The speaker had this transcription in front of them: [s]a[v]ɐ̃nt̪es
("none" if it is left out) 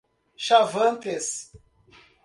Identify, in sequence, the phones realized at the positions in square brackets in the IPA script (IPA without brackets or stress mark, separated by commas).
ʃ, v